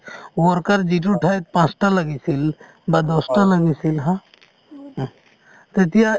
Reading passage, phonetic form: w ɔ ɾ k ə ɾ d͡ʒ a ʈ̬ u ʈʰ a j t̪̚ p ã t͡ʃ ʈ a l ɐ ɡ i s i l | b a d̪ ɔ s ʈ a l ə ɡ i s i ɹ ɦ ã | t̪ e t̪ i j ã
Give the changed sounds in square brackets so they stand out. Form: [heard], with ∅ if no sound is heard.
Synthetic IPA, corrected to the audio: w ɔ ɾ k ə ɾ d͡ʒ [i] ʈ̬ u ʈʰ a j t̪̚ p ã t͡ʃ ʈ a l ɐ ɡ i s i l | b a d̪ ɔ s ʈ a l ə ɡ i s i [l] ɦ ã | t̪ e t̪ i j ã